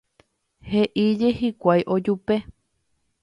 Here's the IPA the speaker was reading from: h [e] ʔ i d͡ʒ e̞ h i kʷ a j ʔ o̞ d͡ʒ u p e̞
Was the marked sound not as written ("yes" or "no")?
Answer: no